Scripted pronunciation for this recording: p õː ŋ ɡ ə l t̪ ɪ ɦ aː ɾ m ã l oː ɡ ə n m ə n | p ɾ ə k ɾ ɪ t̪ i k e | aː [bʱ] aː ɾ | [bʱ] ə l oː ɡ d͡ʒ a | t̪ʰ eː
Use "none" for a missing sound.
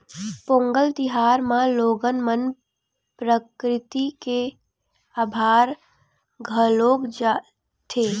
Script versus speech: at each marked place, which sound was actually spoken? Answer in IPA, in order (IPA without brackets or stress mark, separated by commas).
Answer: bʱ, ɡʱ